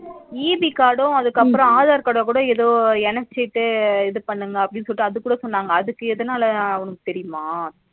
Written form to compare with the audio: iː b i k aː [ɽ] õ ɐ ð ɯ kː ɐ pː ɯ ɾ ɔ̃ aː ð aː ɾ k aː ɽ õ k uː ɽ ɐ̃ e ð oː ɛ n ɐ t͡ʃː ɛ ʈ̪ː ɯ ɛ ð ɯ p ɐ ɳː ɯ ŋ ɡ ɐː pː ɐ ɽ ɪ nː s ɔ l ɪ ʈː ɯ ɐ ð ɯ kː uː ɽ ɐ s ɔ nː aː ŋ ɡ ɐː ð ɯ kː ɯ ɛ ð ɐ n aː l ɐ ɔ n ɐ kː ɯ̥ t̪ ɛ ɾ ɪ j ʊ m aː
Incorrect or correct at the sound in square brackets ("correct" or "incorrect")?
correct